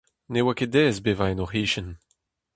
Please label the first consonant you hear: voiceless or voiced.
voiced